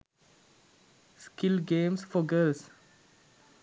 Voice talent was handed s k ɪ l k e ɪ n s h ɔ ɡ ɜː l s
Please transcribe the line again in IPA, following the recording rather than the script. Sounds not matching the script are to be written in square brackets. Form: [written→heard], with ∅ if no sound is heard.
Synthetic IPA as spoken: s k ɪ l [k→ɡ] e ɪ [n→m] s [h→f] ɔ ɡ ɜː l s

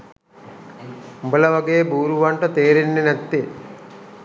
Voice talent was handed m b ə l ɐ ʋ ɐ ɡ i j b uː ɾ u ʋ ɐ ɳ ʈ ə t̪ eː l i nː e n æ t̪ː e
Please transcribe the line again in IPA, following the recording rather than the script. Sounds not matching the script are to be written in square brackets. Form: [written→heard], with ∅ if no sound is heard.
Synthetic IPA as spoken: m b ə l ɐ ʋ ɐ ɡ [i→e] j b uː ɾ u ʋ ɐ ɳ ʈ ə t̪ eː [l→ɾ] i nː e n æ t̪ː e

